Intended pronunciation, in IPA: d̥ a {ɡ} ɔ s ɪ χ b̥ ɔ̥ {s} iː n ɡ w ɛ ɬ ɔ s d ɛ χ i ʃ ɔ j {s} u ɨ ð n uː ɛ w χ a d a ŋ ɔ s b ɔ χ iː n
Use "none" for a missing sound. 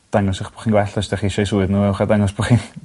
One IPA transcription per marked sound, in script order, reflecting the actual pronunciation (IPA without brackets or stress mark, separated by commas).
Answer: ŋ, χ, s